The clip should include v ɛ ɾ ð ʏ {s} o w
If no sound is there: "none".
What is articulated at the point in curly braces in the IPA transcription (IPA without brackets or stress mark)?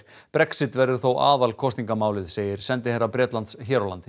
θ